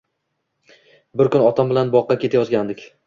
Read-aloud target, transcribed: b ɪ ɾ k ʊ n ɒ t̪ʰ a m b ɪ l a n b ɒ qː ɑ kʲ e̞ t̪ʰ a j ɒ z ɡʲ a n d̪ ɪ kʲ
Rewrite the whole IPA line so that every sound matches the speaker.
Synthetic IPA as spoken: b ɪ ɾ k ʊ n ɒ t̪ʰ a m b ɪ l a n b ɒ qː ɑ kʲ e̞ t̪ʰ a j ɒ z ɡʲ a n d̪ ɪ kʲ